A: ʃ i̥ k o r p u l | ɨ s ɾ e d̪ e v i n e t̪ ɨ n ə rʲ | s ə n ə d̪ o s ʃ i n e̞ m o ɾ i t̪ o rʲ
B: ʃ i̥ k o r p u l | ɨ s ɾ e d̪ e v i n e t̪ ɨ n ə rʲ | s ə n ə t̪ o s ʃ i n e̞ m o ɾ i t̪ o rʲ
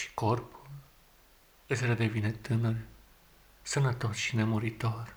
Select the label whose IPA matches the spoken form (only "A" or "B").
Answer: B